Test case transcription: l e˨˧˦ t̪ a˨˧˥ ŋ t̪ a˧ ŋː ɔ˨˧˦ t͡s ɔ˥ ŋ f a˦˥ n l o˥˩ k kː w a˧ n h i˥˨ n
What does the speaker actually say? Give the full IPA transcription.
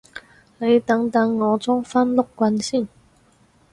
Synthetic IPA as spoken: l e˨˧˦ t̪ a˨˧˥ ŋ t̪ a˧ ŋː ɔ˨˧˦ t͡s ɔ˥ ŋ f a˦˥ n l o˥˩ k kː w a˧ n ɕ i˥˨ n